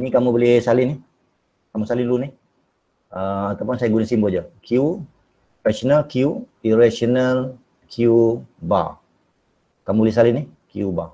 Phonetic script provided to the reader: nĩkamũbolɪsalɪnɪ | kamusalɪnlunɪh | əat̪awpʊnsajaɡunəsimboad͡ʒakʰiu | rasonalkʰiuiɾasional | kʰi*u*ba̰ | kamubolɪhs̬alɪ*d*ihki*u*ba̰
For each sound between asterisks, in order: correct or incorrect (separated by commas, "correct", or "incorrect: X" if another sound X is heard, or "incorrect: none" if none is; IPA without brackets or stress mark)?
correct, incorrect: n, correct